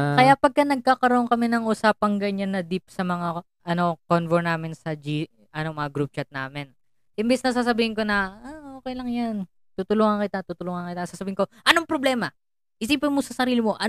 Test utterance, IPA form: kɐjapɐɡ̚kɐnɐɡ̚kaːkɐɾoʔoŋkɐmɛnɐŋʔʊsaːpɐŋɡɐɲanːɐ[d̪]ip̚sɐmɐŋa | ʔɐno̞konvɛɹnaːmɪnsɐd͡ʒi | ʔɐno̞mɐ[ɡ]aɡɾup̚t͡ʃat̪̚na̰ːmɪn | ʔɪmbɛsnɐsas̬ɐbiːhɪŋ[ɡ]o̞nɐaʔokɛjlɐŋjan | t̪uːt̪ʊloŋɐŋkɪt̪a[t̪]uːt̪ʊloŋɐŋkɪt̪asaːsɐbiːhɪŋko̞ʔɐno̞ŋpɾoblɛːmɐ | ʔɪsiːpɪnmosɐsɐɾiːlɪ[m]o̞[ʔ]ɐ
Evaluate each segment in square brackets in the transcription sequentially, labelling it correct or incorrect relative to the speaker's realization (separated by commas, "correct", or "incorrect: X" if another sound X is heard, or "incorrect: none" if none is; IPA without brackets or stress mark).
correct, incorrect: ŋ, incorrect: k, correct, correct, correct